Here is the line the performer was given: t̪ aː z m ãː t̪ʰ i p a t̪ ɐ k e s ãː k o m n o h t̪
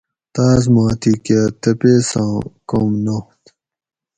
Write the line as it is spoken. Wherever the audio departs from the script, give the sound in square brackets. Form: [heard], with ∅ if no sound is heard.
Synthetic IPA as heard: t̪ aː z m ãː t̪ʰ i [k] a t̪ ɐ [p] e s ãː k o m n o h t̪